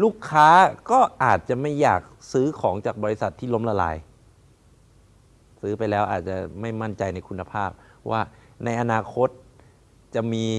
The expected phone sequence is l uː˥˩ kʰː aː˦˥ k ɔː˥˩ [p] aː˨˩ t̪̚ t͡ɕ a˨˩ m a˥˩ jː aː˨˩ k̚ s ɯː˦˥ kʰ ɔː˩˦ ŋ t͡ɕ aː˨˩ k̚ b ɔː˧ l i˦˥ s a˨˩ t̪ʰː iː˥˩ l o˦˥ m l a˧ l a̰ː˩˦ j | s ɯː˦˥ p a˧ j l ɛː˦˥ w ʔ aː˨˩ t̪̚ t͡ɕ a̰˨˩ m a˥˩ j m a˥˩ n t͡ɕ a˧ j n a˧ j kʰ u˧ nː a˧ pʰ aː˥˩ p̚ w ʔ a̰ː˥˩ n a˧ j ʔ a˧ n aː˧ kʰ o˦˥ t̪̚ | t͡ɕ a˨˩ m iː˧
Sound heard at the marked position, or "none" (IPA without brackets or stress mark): ʔ